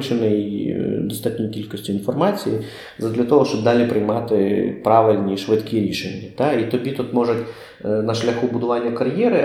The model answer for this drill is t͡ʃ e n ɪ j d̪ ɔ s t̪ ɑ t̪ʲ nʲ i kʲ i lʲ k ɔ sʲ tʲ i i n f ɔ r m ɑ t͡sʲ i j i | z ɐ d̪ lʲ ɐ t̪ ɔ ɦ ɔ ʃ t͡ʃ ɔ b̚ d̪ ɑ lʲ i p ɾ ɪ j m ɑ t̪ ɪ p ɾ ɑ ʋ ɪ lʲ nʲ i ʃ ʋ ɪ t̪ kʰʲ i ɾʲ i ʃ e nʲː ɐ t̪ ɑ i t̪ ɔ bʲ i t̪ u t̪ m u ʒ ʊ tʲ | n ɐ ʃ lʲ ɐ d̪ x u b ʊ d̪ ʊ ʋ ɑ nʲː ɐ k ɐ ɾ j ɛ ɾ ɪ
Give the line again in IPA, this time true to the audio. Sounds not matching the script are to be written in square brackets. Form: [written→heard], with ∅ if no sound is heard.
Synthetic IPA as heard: t͡ʃ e n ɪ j d̪ ɔ s t̪ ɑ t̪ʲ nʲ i kʲ i lʲ k ɔ sʲ tʲ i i n f ɔ r m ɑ t͡sʲ i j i | z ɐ d̪ lʲ ɐ t̪ ɔ ɦ ɔ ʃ t͡ʃ ɔ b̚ d̪ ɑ lʲ i p ɾ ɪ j m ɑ t̪ ɪ p ɾ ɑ ʋ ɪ lʲ nʲ i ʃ ʋ ɪ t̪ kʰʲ i ɾʲ i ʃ e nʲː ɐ t̪ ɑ i t̪ ɔ bʲ i t̪ u t̪ m [u→ɔ] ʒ ʊ tʲ | n ɐ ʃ lʲ ɐ [d̪→∅] x u b ʊ d̪ ʊ ʋ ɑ nʲː ɐ k ɐ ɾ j ɛ ɾ ɪ